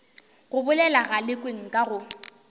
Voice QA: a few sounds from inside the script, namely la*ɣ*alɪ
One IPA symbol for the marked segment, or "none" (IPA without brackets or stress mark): ɣ